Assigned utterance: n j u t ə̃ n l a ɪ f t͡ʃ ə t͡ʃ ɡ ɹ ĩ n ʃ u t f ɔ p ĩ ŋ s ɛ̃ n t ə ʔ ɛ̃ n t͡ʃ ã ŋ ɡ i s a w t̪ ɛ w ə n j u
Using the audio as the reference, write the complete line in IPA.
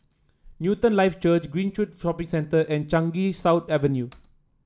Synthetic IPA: n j u t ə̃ n l a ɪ f t͡ʃ ə t͡ʃ ɡ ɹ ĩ n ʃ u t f ɔ p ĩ ŋ s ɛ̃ n t ə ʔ ɛ̃ n t͡ʃ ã ŋ ɡ i s a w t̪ ɛ v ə n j u